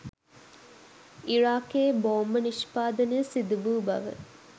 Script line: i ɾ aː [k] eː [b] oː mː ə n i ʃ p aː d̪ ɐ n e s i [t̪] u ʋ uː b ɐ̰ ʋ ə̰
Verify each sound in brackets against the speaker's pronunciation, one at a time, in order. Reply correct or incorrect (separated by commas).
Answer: correct, correct, incorrect